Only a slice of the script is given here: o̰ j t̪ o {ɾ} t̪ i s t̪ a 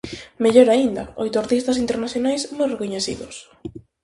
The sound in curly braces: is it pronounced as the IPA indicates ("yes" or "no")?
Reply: yes